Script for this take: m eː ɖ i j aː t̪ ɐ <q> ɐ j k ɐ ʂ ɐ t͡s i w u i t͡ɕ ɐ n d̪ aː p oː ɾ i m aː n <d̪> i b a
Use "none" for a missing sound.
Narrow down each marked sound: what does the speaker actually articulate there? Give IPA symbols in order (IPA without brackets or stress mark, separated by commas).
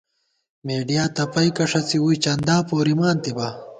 p, t̪